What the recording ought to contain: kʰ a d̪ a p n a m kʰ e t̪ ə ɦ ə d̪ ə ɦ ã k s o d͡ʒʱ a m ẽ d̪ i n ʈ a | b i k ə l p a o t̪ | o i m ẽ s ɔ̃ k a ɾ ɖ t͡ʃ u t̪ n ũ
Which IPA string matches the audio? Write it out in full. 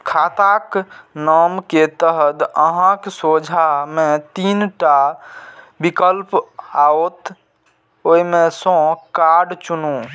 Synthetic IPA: kʰ a t̪ a k n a m k e t̪ ə ɦ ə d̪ ə ɦ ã k s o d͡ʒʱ a m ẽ t̪ i n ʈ a | b i k ə l p a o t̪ | o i m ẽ s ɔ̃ k a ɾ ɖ t͡ʃ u n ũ